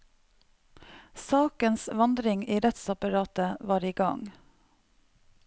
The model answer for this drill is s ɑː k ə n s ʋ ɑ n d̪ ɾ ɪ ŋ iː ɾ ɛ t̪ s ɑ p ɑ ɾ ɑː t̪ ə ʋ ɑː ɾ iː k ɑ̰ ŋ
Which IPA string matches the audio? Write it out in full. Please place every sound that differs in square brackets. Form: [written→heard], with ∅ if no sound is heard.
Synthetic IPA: s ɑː k ə n s ʋ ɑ n d̪ ɾ ɪ ŋ iː ɾ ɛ t̪ s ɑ p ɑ ɾ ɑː t̪ ə ʋ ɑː ɾ iː [k→ɡ] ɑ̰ ŋ